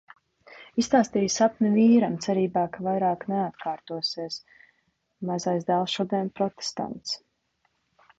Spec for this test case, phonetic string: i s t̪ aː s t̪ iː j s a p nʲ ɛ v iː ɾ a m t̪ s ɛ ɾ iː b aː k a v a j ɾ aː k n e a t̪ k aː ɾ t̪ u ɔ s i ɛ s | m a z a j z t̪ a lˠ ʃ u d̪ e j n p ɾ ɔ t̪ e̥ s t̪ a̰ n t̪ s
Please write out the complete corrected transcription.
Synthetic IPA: i s t̪ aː s t̪ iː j s a p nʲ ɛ v iː ɾ a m t̪ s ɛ ɾ iː b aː k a v a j ɾ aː k n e a t̪ k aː ɾ t̪ u ɔ s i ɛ s | m a z a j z d̪ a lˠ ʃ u d̪ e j n p ɾ ɔ t̪ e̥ s t̪ a̰ n t̪ s